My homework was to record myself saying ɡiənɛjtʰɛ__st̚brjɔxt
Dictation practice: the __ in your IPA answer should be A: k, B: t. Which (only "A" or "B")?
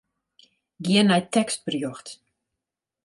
A